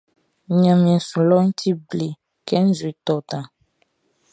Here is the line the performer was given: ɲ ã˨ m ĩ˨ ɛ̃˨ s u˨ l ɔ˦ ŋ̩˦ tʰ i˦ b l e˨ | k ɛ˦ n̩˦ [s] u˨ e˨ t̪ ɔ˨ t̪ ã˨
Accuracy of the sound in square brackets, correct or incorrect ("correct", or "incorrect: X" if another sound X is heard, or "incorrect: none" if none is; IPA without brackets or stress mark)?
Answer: incorrect: z